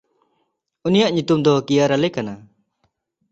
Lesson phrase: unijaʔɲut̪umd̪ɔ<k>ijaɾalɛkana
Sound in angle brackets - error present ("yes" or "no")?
no